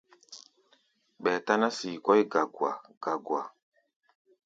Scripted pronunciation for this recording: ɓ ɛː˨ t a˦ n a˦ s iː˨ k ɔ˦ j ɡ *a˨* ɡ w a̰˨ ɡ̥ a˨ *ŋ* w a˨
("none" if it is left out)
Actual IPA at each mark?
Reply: a˨, ɡ

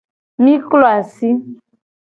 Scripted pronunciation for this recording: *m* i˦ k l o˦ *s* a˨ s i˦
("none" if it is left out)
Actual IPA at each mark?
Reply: m, none

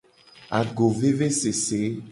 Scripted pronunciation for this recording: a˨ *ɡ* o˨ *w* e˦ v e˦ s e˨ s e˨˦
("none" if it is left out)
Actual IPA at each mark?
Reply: ɡ, v

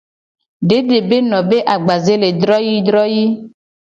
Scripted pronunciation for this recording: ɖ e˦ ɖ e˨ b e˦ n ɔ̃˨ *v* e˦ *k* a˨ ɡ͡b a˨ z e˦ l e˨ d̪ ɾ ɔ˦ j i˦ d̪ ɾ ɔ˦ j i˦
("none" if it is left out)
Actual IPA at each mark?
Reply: b, ʔ

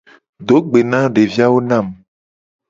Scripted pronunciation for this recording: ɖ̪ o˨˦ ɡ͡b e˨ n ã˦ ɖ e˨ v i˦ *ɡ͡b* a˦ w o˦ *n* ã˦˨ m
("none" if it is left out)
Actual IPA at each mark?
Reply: none, n

